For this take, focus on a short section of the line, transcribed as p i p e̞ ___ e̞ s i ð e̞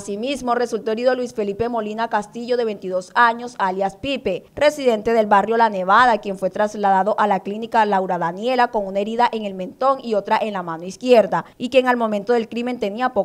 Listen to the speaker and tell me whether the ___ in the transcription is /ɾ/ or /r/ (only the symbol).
r